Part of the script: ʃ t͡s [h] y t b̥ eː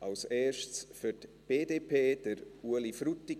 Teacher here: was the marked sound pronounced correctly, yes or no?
no